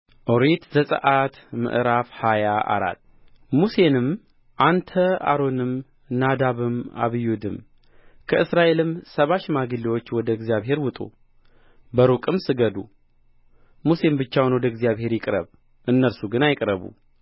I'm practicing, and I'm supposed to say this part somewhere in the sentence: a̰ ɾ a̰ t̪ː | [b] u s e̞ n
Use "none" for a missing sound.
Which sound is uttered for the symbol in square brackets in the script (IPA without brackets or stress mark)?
m